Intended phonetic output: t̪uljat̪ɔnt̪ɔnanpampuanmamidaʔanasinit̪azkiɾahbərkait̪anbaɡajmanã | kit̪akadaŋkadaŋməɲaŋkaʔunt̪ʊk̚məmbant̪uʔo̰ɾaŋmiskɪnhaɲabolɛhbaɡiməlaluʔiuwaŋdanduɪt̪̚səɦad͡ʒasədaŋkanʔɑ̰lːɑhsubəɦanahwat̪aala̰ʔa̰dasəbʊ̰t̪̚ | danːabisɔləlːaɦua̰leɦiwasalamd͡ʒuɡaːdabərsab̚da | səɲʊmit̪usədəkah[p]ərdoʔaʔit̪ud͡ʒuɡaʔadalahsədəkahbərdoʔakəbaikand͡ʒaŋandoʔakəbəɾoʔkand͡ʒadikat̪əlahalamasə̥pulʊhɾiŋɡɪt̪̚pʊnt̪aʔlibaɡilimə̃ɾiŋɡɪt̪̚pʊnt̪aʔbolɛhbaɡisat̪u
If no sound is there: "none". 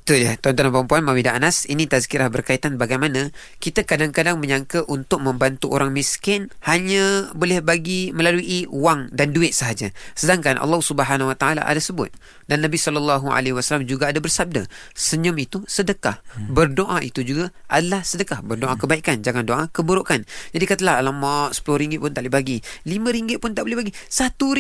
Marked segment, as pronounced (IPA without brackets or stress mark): b